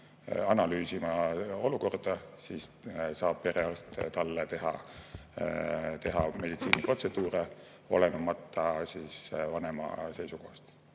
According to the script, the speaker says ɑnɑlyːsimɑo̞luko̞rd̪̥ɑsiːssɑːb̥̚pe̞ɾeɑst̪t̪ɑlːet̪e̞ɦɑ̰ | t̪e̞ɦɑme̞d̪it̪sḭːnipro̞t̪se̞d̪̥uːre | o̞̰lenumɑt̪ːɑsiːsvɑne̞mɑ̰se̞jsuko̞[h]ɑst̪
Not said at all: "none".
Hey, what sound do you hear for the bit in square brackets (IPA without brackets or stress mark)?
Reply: h